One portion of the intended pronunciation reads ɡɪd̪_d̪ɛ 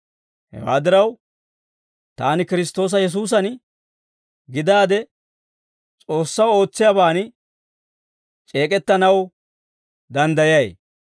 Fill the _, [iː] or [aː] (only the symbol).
aː